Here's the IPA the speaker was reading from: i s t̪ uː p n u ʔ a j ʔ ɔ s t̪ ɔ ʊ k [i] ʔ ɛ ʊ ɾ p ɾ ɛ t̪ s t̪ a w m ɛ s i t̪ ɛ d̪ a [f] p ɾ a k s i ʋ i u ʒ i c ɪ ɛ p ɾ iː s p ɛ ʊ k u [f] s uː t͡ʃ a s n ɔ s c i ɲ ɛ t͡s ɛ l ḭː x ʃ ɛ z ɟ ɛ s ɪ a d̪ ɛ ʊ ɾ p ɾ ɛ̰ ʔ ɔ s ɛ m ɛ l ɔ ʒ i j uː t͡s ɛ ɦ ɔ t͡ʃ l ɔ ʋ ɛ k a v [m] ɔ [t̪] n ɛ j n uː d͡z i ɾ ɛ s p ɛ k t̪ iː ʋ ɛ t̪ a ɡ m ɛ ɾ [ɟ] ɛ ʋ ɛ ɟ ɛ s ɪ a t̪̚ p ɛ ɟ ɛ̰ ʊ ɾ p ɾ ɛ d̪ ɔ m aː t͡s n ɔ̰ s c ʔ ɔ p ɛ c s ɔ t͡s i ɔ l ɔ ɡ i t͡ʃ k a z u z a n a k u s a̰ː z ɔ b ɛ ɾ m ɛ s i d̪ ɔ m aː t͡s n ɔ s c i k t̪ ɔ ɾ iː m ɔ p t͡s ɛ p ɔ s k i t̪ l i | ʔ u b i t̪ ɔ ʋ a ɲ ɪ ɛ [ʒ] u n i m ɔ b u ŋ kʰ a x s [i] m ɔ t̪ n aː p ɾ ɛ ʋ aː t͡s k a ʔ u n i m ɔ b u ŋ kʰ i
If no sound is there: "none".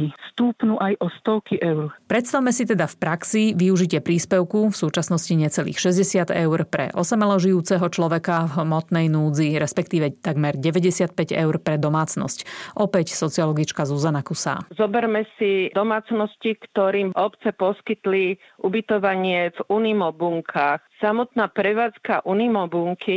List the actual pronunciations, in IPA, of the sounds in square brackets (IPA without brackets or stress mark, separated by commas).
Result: i, f, f, m, t̪, ɟ, v, a